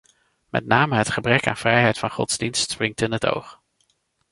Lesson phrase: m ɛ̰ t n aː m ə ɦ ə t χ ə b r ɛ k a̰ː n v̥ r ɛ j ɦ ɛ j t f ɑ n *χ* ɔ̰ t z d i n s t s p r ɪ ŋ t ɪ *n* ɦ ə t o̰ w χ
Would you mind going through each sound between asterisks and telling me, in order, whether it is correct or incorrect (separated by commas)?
correct, correct